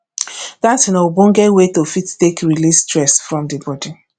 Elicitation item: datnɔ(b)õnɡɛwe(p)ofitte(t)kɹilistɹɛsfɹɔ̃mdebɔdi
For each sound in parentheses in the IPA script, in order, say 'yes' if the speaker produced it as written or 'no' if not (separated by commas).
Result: yes, no, no